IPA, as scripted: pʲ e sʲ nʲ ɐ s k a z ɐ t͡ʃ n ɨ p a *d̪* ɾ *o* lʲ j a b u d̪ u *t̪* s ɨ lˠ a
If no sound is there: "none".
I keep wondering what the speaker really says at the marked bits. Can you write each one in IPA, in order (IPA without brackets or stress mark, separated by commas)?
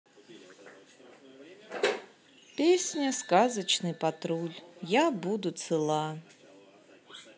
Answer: t̪, u, t̪